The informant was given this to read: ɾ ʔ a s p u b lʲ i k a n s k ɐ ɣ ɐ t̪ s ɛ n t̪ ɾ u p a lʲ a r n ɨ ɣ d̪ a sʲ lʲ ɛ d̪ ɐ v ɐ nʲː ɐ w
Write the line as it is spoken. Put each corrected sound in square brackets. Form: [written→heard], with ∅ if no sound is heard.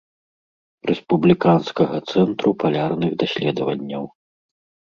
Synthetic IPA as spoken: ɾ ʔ [a→ɛ] s p u b lʲ i k a n s k ɐ ɣ ɐ t̪ s ɛ n t̪ ɾ u p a lʲ a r n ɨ ɣ d̪ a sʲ lʲ ɛ d̪ ɐ v ɐ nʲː ɐ w

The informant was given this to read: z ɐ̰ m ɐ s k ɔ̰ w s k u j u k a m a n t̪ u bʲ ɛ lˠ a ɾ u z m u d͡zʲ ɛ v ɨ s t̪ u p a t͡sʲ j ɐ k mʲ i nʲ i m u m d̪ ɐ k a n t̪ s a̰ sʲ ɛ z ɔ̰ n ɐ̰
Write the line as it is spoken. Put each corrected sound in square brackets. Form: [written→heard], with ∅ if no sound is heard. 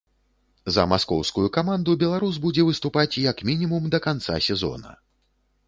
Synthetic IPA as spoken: z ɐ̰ m [ɐ→a] s k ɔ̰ w s k u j u k a m a n [t̪→d̪] u bʲ ɛ lˠ a ɾ u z [m→b] u d͡zʲ ɛ v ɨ s t̪ u p a t͡sʲ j ɐ k mʲ i nʲ i m u m d̪ ɐ k a n t̪ s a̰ sʲ ɛ z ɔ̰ n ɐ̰

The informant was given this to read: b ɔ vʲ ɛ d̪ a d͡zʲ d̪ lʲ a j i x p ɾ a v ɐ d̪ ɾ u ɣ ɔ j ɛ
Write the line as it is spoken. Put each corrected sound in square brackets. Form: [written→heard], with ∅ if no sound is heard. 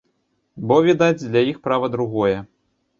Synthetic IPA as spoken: b ɔ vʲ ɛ d̪ a d͡zʲ d̪ lʲ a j i x p ɾ a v ɐ d̪ ɾ u ɣ ɔ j ɛ

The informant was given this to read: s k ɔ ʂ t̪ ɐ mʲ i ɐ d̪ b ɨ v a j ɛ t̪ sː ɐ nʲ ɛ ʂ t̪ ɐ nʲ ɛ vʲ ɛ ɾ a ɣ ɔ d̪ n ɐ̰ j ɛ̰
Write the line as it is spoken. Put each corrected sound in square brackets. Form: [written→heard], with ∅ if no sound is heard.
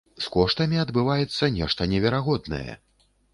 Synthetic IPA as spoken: s k ɔ ʂ t̪ ɐ mʲ i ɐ d̪ b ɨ v a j ɛ t̪ sː ɐ nʲ ɛ ʂ t̪ ɐ nʲ ɛ vʲ ɛ ɾ a ɣ ɔ d̪ n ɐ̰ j ɛ̰

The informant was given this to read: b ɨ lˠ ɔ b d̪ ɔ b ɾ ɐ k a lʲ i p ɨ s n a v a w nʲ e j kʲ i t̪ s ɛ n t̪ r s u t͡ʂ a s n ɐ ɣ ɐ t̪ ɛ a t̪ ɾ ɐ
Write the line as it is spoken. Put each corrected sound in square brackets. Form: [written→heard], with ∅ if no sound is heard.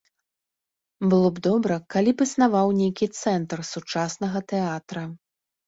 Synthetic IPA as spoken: b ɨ lˠ ɔ b d̪ ɔ b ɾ ɐ k a lʲ i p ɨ s n a v a w nʲ e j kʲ i t̪ s ɛ n t̪ r s u t͡ʂ a s n ɐ ɣ ɐ t̪ ɛ a t̪ ɾ ɐ

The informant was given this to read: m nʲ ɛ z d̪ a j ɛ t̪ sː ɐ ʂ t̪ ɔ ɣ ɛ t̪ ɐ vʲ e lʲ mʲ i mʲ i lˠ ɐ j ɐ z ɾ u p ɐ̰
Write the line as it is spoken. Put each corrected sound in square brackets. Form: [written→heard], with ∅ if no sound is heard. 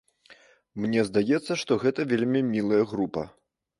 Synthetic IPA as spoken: m nʲ ɛ z d̪ a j ɛ t̪ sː ɐ ʂ t̪ ɔ ɣ ɛ t̪ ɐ vʲ e lʲ mʲ i mʲ i lˠ ɐ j ɐ [z→ɣ] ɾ u p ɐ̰

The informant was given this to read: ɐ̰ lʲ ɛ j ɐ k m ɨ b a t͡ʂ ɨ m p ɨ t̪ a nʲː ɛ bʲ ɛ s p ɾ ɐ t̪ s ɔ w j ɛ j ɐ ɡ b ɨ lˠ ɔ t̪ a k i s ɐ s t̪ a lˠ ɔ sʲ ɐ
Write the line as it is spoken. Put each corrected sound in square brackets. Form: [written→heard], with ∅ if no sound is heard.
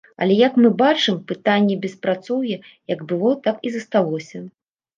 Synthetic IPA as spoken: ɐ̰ lʲ ɛ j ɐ k m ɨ b a t͡ʂ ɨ m p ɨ t̪ a nʲː ɛ bʲ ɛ s p ɾ [ɐ→a] t̪ s ɔ w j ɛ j ɐ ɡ b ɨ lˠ ɔ t̪ a k i [s→z] ɐ s t̪ a lˠ ɔ sʲ ɐ

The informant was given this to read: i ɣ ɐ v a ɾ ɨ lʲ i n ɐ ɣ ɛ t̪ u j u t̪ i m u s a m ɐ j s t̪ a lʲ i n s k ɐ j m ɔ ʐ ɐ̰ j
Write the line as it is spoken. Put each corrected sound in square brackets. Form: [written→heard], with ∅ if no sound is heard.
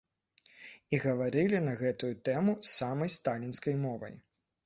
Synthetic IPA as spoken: i ɣ ɐ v a ɾ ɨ lʲ i n ɐ ɣ ɛ t̪ u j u t̪ [i→ɛ] m u s a m ɐ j s t̪ a lʲ i n s k ɐ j m ɔ [ʐ→v] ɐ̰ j

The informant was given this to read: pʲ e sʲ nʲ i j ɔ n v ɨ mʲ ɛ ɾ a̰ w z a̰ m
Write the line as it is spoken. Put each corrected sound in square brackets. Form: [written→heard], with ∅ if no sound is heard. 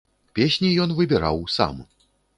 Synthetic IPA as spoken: pʲ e sʲ nʲ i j ɔ n v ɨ [mʲ→bʲ] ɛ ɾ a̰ w [z→s] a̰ m

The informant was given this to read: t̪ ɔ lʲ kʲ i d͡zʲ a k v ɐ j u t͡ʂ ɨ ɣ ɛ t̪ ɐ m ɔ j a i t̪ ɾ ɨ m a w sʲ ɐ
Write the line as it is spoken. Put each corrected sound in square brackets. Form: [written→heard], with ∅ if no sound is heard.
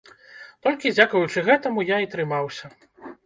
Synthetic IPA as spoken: t̪ ɔ lʲ kʲ i d͡zʲ a k v ɐ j u t͡ʂ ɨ ɣ ɛ t̪ ɐ m [ɔ→u] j a i t̪ ɾ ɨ m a w sʲ ɐ

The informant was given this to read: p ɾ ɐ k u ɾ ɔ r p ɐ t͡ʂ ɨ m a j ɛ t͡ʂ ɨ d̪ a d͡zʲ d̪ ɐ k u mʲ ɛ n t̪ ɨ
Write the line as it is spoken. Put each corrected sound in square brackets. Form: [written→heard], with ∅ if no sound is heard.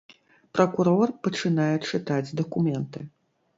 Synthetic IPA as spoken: p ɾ ɐ k u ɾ ɔ r p ɐ t͡ʂ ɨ [m→n] a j ɛ t͡ʂ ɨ [d̪→t̪] a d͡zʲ d̪ ɐ k u mʲ ɛ n t̪ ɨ

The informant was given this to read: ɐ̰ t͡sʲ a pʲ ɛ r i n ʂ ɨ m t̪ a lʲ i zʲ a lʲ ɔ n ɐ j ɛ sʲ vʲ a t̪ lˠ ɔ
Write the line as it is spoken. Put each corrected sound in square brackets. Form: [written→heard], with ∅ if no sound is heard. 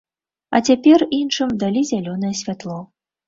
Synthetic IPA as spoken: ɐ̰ t͡sʲ a pʲ ɛ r i n ʂ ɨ m [t̪→d̪] a lʲ i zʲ a lʲ ɔ n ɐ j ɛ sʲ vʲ a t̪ lˠ ɔ

